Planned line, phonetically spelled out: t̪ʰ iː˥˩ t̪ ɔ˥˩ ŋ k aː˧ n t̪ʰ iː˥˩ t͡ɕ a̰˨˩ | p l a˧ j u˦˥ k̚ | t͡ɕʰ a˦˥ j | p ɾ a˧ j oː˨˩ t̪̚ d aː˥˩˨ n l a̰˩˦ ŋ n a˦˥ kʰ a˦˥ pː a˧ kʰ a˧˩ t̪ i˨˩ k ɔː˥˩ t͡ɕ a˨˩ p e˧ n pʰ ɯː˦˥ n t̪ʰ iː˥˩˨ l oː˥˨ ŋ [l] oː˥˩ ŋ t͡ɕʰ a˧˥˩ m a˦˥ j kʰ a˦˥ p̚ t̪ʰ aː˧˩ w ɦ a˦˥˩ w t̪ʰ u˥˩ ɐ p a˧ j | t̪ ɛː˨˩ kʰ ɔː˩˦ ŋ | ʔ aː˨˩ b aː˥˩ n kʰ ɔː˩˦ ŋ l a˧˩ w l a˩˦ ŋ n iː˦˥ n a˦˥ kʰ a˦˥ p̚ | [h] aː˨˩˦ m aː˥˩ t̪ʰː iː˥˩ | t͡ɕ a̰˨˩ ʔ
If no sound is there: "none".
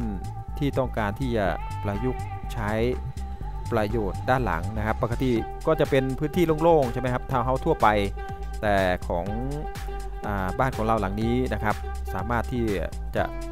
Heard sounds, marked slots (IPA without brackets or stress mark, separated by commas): l, s